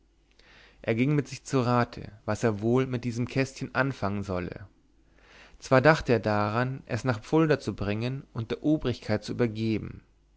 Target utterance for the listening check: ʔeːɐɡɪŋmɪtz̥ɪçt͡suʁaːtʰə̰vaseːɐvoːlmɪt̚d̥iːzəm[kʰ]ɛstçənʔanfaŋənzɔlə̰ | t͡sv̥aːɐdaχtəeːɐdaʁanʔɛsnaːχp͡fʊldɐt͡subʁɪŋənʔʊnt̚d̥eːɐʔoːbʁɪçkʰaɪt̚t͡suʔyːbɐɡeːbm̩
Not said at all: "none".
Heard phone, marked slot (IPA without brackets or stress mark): kʰ